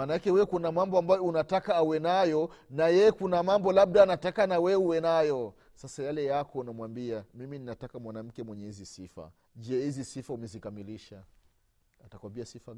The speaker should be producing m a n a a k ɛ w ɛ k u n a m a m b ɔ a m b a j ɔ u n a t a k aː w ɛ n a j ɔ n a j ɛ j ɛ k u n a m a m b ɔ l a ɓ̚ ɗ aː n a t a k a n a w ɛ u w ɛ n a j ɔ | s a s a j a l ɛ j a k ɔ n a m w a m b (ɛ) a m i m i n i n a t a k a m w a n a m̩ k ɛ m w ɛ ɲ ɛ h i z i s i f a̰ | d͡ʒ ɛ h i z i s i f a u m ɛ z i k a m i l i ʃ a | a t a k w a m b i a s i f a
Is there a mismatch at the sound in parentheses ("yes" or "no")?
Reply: yes